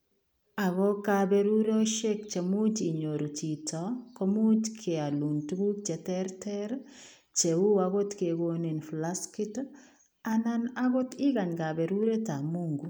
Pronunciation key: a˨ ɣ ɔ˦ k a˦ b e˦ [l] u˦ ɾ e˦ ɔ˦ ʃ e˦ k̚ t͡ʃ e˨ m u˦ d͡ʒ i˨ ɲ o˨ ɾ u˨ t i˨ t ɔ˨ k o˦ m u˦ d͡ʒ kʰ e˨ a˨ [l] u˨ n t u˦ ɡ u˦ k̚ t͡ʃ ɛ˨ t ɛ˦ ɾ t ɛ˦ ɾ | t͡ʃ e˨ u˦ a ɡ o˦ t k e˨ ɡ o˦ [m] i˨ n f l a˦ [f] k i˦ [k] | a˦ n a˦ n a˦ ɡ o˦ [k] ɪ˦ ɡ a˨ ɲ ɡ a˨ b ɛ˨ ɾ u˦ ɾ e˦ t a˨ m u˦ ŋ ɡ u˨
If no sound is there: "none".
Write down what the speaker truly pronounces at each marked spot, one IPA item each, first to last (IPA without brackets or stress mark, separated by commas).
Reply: ɾ, l, n, s, t, t